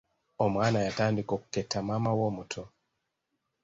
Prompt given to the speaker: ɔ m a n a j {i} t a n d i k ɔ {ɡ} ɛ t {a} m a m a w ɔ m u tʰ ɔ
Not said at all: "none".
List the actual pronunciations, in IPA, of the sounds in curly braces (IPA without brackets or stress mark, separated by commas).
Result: a, k, a